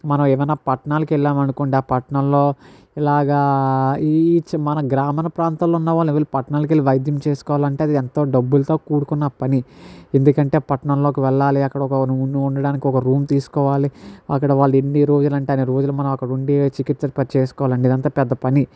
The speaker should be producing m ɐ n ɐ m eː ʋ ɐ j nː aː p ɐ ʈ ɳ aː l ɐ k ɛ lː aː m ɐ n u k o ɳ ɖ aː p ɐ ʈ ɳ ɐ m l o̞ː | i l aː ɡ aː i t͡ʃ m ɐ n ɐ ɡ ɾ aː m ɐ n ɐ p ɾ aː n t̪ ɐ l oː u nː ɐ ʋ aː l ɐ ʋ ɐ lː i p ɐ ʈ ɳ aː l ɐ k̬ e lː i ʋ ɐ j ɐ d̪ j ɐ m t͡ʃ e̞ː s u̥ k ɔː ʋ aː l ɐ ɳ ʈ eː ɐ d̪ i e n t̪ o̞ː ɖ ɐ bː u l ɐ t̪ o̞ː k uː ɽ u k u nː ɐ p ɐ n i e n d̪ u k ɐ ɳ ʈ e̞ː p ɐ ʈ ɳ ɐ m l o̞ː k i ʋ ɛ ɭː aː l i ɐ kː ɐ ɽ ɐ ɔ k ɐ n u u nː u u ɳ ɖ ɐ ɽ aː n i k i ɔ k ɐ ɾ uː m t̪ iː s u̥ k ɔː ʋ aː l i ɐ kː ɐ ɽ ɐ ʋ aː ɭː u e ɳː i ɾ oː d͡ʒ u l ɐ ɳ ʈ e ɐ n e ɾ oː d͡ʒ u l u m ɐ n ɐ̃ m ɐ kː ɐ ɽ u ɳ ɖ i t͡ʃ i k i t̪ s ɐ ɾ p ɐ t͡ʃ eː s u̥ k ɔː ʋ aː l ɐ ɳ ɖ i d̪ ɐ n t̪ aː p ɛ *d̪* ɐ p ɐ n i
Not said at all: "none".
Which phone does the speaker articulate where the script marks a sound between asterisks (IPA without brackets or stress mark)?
d̪ː